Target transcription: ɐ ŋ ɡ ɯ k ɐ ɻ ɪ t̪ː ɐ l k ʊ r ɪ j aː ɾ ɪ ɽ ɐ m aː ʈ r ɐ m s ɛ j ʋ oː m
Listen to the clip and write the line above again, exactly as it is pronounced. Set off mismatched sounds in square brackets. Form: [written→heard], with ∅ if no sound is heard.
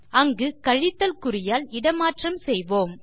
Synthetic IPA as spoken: ɐ ŋ ɡ ɯ k ɐ ɻ ɪ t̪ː ɐ l k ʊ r ɪ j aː [ɾ→l] ɪ ɽ ɐ m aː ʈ r ɐ m s ɛ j ʋ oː m